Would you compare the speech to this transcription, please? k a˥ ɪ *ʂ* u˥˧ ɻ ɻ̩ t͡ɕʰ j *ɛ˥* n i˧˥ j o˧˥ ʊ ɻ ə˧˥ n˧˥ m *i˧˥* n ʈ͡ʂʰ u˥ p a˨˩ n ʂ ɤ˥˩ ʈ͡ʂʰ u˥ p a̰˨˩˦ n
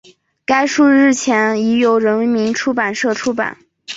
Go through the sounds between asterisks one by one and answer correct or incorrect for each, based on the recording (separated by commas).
correct, incorrect, correct